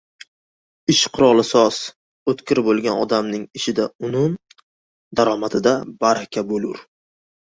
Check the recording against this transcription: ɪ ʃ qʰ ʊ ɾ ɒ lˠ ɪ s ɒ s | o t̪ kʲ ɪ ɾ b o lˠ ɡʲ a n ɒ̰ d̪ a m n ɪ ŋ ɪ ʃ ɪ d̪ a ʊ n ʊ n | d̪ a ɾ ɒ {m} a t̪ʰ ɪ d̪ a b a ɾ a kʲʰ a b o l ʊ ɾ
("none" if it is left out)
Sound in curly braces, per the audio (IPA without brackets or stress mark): m